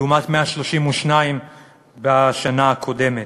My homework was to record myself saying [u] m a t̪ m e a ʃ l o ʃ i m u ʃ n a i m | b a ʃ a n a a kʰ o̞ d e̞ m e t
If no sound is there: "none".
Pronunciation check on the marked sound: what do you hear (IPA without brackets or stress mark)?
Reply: u